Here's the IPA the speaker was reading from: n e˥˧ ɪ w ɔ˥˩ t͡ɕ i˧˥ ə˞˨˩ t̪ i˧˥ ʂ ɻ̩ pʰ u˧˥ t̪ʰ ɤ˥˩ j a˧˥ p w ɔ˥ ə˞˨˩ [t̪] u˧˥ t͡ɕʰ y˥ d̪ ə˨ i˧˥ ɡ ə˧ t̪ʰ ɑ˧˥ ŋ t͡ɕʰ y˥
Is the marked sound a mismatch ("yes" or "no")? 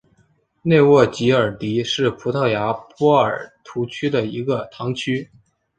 yes